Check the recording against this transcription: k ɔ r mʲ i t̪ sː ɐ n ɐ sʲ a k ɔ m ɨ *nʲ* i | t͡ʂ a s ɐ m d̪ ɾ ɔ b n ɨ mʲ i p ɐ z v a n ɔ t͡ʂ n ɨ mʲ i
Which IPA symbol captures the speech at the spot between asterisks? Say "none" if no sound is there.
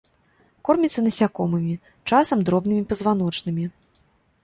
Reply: mʲ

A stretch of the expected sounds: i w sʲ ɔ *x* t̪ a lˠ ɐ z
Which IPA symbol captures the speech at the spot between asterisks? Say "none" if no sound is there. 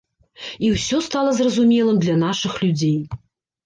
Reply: s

